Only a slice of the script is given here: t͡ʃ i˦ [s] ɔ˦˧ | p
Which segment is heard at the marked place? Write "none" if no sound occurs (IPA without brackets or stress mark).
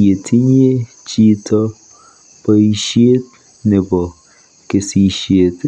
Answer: t